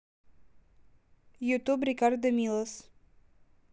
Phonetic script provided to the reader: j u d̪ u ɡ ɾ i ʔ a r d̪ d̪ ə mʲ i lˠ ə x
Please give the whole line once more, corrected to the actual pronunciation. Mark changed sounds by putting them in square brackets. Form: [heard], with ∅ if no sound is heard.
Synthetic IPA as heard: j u [t̪] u [b] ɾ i [k] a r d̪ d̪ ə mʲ i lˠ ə [s]